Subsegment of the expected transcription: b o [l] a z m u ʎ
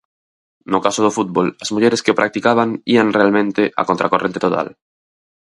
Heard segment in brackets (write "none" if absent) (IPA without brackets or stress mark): l